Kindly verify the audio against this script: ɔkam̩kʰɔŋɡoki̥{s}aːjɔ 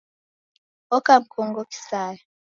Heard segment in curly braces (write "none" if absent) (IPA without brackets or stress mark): s